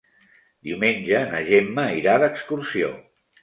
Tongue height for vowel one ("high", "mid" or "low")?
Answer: high